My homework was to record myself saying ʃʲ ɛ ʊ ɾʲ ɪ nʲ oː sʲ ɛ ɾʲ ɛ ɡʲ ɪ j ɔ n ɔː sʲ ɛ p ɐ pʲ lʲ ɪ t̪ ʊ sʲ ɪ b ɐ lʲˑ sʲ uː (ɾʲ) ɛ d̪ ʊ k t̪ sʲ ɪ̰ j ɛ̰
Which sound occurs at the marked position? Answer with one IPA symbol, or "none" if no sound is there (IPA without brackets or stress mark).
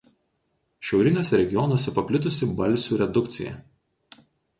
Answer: ɾʲ